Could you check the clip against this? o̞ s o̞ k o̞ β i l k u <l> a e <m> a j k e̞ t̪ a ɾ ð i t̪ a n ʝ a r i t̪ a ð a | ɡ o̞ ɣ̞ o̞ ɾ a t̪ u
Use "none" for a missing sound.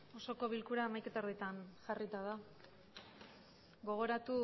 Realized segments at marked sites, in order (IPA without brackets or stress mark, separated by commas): ɾ, m